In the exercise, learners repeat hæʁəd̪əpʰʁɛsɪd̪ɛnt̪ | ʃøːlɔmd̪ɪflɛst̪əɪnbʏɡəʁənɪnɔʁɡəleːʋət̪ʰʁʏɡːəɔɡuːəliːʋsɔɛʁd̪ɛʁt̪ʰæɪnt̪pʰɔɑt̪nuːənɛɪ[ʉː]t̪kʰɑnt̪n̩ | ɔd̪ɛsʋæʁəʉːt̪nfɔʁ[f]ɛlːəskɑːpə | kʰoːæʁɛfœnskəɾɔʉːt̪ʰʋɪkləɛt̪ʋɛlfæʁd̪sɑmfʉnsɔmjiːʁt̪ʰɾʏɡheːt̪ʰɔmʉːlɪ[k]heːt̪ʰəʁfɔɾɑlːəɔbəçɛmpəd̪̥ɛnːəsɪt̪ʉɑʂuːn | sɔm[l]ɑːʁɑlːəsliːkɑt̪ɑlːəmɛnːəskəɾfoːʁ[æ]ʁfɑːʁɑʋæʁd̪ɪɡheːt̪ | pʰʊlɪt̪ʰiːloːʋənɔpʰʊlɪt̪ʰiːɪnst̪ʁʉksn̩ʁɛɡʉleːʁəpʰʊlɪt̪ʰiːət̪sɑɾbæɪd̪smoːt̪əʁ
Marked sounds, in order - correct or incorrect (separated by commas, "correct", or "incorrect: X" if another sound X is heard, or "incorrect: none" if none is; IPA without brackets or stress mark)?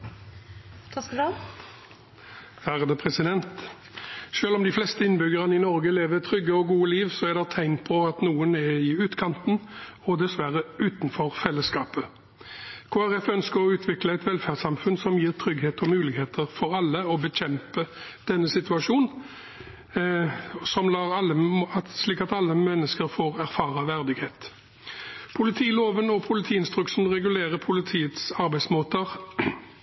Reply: correct, correct, incorrect: ɡ, correct, correct